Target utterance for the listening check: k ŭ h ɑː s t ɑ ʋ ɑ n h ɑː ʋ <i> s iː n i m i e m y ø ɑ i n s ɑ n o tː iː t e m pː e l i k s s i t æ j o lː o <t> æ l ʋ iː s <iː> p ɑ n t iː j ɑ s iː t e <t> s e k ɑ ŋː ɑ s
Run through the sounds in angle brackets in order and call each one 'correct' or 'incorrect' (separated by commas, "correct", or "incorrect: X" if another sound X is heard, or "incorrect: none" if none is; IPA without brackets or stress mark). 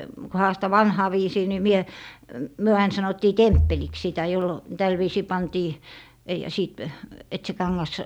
incorrect: iː, correct, correct, correct